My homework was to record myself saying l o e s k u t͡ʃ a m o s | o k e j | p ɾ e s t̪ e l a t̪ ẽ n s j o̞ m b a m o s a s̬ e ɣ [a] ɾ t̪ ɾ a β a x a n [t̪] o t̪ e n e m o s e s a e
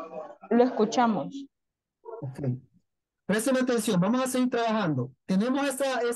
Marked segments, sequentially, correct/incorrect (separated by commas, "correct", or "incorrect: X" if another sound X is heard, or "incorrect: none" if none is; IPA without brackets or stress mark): incorrect: i, incorrect: d̪